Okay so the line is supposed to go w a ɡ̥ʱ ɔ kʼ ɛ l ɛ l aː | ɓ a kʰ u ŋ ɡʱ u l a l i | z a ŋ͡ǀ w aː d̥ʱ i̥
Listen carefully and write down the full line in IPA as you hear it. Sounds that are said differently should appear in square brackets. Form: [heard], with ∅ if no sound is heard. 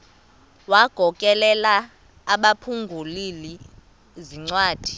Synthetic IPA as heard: w a ɡ̥ʱ ɔ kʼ ɛ l ɛ l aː | ɓ a [pʰ] u ŋ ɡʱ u l [i] l i | z [i] ŋ͡ǀ w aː d̥ʱ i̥